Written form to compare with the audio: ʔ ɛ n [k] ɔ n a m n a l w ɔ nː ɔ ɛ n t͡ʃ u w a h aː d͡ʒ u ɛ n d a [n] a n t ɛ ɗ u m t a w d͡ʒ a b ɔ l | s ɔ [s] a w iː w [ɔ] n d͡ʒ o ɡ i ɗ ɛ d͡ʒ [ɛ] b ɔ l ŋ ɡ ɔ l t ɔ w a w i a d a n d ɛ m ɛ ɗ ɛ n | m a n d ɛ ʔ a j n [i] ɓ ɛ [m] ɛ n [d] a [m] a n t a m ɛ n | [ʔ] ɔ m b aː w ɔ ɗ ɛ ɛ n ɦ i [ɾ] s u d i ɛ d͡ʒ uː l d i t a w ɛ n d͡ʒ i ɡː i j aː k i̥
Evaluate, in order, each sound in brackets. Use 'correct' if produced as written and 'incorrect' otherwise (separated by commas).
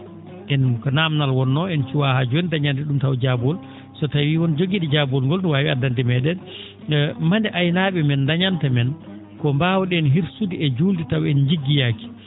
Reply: correct, incorrect, incorrect, correct, incorrect, incorrect, correct, correct, incorrect, incorrect, correct